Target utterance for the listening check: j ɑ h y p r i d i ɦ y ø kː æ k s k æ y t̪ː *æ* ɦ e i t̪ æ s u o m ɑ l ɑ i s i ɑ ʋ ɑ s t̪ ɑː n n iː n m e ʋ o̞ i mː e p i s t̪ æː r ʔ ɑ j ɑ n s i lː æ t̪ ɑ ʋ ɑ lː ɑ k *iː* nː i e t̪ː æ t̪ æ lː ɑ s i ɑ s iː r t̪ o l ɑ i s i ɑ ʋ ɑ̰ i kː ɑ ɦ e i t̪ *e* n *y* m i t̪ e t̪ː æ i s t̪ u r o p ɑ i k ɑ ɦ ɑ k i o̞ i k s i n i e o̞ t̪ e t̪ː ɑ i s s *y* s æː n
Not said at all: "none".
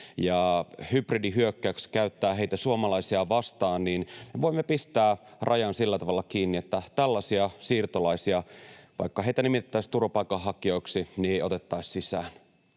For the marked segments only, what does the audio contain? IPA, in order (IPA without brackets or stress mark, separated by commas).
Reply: æː, iː, æ, i, i